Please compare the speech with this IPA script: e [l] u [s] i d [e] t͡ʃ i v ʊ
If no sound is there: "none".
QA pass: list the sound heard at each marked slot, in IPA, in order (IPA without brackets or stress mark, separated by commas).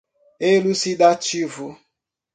l, s, a